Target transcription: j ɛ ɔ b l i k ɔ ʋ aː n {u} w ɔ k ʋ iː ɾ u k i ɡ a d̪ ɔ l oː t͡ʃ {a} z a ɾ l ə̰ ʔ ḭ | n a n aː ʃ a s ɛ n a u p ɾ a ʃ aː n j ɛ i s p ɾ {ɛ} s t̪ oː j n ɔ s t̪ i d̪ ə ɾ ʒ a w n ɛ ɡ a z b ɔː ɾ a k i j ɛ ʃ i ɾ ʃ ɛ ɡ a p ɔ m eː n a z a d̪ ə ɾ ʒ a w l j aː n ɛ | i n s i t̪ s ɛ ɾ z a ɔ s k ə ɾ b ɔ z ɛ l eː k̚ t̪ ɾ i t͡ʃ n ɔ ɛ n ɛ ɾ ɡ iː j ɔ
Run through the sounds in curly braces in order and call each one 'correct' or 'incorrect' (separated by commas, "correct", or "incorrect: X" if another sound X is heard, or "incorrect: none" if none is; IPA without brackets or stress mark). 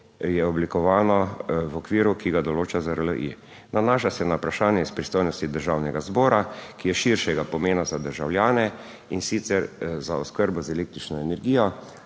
incorrect: ɔ, correct, incorrect: i